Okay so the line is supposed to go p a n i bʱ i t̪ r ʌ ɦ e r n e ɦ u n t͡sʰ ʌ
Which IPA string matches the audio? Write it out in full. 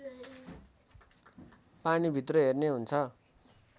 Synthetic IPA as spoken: p a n i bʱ i t̪ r ʌ ɦ e r n e ɦ u n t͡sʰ ʌ